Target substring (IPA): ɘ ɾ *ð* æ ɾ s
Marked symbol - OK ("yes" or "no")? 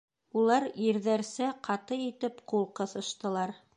yes